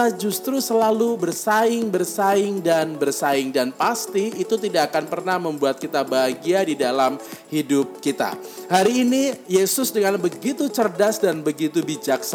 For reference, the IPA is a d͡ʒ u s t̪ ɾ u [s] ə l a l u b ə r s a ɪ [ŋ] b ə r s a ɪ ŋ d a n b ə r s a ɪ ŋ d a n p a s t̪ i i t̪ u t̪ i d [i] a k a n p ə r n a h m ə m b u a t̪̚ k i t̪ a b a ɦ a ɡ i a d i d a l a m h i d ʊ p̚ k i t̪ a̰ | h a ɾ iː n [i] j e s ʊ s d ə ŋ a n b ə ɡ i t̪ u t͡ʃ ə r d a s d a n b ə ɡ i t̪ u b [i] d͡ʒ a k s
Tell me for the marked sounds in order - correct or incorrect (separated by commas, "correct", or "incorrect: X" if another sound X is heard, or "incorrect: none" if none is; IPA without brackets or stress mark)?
correct, correct, incorrect: a, correct, correct